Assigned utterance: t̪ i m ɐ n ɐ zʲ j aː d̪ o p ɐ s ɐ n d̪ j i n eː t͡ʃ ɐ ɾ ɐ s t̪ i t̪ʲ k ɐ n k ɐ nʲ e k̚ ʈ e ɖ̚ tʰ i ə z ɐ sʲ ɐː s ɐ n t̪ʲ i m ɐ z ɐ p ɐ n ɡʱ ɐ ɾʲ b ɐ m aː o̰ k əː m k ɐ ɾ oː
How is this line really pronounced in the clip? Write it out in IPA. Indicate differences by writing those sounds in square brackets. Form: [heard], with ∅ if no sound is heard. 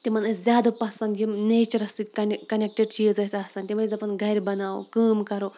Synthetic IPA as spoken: t̪ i m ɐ n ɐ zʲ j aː d̪ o p ɐ s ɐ n d̪ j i n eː t͡ʃ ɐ ɾ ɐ s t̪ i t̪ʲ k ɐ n k ɐ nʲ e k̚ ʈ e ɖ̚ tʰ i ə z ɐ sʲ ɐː s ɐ n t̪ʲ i m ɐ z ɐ p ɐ n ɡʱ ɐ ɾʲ b ɐ [n] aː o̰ k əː m k ɐ ɾ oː